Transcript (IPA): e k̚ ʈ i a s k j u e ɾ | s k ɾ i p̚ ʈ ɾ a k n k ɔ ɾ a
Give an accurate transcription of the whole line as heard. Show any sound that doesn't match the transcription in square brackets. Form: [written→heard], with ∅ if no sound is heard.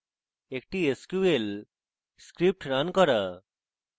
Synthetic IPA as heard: e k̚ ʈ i [a→e] s k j u e [ɾ→l] | s k ɾ i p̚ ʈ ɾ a [k→∅] n k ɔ ɾ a